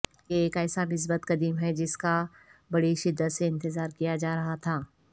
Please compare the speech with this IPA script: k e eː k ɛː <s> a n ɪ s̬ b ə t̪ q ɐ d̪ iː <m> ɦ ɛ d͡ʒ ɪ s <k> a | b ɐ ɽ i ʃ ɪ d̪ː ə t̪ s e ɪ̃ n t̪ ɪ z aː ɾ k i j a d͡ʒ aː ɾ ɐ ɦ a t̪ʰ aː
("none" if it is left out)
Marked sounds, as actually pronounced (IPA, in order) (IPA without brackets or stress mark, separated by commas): s, m, k